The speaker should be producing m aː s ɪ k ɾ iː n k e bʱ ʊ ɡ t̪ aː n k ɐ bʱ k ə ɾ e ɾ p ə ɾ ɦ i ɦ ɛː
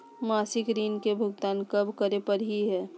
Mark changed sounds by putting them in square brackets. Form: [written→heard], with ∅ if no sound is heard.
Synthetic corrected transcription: m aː s ɪ k ɾ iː n k e bʱ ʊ ɡ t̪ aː n k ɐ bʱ k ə ɾ e [ɾ→∅] p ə ɾ ɦ i ɦ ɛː